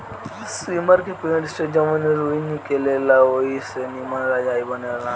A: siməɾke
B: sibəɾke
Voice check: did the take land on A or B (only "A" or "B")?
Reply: A